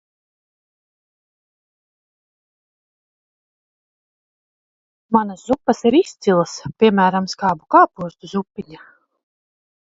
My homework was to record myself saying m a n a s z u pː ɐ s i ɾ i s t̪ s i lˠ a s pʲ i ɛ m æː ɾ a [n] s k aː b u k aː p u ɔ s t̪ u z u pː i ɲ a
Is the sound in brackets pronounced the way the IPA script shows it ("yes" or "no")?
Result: no